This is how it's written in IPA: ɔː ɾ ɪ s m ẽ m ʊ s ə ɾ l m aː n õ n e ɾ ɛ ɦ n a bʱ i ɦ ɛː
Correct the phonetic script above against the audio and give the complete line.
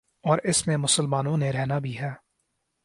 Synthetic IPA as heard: ɔː ɾ ɪ s m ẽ m ʊ s ə l m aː n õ n e ɾ ɛ ɦ n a bʱ i ɦ ɛː